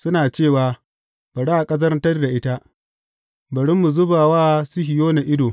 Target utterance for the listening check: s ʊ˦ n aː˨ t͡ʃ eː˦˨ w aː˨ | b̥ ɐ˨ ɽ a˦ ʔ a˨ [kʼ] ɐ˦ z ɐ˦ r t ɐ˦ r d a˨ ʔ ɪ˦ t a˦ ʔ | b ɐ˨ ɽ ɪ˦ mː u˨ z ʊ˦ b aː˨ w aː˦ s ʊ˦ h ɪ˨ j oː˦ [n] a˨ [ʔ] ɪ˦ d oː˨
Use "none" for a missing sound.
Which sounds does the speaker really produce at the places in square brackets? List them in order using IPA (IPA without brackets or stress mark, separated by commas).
kʼ, n, ʔ